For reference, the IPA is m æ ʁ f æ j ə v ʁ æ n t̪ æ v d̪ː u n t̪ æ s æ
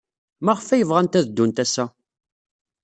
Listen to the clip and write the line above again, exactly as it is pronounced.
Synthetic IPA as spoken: m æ ʁ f æ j ə v ʁ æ n t̪ æ ð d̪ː u n t̪ æ s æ